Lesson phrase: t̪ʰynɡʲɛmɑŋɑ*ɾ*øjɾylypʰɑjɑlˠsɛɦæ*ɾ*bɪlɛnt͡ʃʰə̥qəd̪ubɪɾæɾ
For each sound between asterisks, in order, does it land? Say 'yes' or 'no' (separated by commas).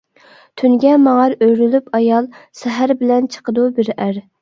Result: yes, yes